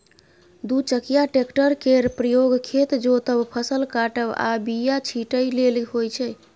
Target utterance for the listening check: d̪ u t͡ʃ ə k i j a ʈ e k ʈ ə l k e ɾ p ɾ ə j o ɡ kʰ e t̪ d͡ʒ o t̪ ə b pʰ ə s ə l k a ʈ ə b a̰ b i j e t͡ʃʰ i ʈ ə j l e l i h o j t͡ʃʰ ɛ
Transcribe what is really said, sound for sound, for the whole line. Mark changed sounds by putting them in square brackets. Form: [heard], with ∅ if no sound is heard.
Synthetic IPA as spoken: d̪ u t͡ʃ ə k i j a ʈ e k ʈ ə [ɾ] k e ɾ p ɾ ə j o ɡ kʰ e t̪ d͡ʒ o t̪ ə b pʰ ə s ə l k a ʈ ə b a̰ b i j [a] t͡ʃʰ i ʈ ə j l e l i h o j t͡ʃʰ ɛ

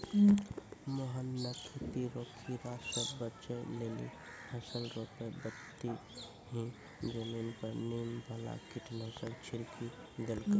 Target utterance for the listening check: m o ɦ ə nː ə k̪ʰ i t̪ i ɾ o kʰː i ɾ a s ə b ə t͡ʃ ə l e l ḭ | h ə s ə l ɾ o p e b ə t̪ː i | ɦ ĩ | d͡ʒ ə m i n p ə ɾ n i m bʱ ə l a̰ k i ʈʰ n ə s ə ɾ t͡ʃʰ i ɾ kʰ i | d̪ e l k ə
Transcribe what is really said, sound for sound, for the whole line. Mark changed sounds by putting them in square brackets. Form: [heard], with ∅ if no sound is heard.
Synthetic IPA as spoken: m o ɦ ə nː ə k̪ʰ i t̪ i ɾ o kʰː i ɾ a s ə b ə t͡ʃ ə l e l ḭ | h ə s ə l ɾ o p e b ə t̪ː i | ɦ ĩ | d͡ʒ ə m i n p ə ɾ n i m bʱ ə l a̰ k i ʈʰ n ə s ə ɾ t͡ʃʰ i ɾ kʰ i | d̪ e l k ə

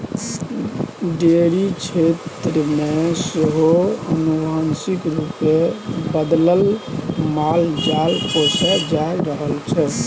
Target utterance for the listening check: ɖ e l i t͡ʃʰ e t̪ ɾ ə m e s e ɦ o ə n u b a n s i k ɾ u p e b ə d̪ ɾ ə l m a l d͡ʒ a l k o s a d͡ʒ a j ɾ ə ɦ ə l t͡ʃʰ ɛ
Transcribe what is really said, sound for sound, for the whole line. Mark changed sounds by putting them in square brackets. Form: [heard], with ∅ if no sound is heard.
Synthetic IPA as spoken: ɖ e [ɾ] i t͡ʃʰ e t̪ ɾ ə m e s e ɦ o ə n u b a n s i k ɾ u p e b ə d̪ [l] ə l m a l d͡ʒ a l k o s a d͡ʒ a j ɾ ə ɦ ə l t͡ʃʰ ɛ

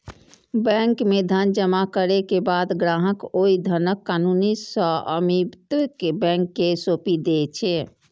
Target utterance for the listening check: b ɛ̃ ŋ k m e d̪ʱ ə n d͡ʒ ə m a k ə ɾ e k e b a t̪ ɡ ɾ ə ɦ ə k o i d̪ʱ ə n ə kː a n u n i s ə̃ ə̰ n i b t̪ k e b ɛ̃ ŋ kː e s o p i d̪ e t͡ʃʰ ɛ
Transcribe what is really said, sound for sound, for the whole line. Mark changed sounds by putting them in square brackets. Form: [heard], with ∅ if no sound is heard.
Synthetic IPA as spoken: b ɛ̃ ŋ k m e d̪ʱ ə n d͡ʒ ə m a k ə ɾ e k e b a [d̪] ɡ ɾ [a] ɦ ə k o i d̪ʱ ə n ə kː a n u n i s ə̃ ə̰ [m] i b t̪ k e b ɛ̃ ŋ kː e s o p i d̪ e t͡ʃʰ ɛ

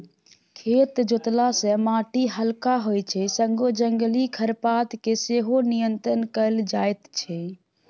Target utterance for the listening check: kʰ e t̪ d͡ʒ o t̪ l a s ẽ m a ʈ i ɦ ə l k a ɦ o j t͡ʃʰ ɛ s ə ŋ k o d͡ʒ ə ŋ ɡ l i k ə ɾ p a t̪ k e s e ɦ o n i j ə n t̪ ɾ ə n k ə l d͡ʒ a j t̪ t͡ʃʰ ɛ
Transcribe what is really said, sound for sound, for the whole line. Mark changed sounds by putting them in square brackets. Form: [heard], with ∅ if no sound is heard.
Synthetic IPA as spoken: kʰ e t̪ d͡ʒ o t̪ l a s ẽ m a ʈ i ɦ ə l k a ɦ o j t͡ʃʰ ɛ s ə ŋ [ɡ] o d͡ʒ ə ŋ ɡ l i [kʰ] ə ɾ p a t̪ k e s e ɦ o n i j ə n t̪ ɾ ə n k ə l d͡ʒ a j t̪ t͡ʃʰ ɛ

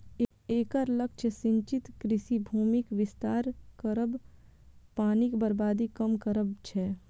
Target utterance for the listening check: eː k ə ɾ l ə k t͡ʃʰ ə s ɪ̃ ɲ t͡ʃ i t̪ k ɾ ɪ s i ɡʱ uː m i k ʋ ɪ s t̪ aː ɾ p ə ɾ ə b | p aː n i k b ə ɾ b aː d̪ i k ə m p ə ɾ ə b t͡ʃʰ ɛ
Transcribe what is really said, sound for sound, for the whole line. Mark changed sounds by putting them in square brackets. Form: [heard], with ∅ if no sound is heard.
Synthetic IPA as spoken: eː k ə ɾ l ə k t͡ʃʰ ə s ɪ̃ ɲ t͡ʃ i t̪ k ɾ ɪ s i [bʱ] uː m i k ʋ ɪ s t̪ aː ɾ [k] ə ɾ ə b | p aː n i k b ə ɾ b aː d̪ i k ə m [k] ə ɾ ə b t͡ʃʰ ɛ

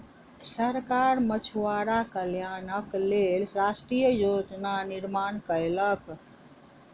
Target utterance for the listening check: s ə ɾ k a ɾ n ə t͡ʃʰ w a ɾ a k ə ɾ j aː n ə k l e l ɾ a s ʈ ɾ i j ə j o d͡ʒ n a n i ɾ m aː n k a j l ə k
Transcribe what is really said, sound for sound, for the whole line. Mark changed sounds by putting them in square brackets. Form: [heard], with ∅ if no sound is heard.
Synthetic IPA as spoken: s ə ɾ k a ɾ [m] ə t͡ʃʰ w a ɾ a k ə [l] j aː n ə k l e l ɾ a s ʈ ɾ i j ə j o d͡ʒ n a n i ɾ m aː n k [ə] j l ə k

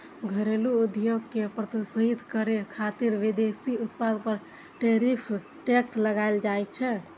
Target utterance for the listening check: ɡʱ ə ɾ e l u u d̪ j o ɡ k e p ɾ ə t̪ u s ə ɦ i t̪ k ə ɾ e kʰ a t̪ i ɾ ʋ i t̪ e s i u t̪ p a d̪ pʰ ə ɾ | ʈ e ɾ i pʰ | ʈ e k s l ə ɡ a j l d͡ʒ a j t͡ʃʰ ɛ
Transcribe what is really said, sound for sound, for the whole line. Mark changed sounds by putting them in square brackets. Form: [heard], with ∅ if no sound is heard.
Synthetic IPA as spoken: ɡʱ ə ɾ e l u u d̪ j o ɡ k e p ɾ ə t̪ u s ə ɦ i t̪ k ə ɾ e kʰ a t̪ i ɾ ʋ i [d̪] e s i u t̪ p a d̪ [p] ə ɾ | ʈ e ɾ i pʰ | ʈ e k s l ə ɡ a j l d͡ʒ a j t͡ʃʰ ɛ

